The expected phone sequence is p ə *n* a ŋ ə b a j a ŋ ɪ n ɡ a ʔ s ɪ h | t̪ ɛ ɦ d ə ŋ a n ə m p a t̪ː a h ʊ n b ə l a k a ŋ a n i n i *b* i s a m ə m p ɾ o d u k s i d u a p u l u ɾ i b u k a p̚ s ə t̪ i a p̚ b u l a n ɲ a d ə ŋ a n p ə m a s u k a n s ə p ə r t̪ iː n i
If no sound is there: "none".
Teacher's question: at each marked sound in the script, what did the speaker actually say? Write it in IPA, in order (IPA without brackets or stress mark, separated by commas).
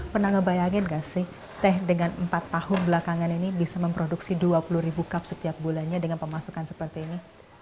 n, b